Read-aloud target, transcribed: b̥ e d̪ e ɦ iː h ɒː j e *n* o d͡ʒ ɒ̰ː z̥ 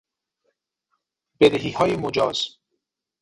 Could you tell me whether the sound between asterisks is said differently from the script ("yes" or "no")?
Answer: yes